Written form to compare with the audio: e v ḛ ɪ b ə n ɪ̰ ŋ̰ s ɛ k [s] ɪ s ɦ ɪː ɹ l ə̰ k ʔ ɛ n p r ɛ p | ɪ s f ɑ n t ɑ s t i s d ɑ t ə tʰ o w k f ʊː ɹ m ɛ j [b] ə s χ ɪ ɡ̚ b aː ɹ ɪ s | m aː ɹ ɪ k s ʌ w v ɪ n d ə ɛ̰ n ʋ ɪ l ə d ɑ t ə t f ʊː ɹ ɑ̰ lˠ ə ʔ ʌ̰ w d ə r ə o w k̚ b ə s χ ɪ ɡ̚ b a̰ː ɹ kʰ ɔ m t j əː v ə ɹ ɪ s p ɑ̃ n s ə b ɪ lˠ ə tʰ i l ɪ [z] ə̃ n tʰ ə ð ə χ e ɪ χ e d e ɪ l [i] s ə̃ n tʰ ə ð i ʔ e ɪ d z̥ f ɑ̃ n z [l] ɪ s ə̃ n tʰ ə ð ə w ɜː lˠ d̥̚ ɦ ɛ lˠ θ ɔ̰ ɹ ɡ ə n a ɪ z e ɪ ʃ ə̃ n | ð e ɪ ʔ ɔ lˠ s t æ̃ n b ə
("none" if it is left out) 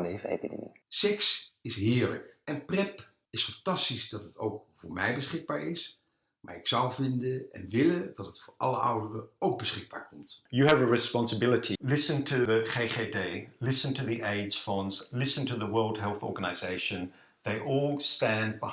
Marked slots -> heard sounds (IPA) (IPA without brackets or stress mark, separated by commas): s, b, s, ɪ, l